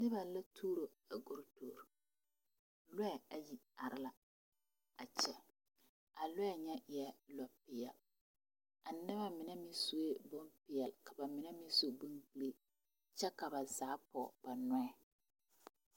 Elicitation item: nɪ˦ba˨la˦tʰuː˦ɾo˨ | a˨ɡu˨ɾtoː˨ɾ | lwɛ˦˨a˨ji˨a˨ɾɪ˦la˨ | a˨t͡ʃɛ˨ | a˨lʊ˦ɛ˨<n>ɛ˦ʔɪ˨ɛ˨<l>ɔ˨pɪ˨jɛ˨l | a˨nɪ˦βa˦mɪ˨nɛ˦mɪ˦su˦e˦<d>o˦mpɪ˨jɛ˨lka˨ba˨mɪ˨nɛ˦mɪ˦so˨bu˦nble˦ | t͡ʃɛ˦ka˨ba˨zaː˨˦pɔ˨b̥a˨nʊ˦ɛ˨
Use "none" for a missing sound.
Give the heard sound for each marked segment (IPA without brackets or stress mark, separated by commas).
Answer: ɲ, l, b